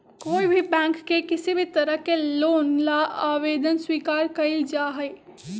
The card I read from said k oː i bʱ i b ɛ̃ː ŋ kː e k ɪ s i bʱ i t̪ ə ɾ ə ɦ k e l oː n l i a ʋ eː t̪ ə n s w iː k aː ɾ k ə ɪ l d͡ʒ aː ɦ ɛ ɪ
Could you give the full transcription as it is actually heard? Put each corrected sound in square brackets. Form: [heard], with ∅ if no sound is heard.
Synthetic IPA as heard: k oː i bʱ i b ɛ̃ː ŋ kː e k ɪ s i bʱ i t̪ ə ɾ ə ɦ k e l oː n l [a] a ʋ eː [d̪] ə n s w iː k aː ɾ k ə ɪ l d͡ʒ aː ɦ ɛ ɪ